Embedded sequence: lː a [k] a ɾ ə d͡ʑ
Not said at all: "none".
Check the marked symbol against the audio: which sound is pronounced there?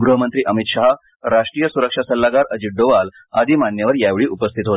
ɡ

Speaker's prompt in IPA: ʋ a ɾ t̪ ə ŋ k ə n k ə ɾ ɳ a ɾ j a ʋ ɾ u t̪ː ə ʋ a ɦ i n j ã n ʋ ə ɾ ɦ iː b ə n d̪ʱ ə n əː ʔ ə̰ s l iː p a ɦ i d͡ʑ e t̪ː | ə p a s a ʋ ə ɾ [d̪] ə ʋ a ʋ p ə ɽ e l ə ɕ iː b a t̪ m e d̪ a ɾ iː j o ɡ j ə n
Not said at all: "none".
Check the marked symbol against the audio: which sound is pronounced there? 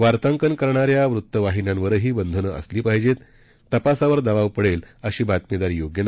d̪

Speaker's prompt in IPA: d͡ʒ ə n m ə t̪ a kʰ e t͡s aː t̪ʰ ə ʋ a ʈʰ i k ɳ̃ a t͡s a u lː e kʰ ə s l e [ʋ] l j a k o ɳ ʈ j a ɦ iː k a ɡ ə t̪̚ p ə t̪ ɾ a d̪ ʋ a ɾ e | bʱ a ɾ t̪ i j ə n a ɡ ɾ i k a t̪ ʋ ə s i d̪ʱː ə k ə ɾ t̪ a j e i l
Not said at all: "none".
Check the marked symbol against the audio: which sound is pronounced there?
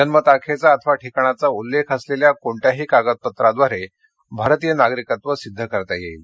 none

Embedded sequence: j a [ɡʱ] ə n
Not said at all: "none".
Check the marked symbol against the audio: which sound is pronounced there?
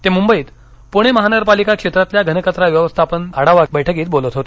ɡʱ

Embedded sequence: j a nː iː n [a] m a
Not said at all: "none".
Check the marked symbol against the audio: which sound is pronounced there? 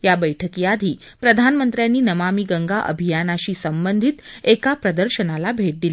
ə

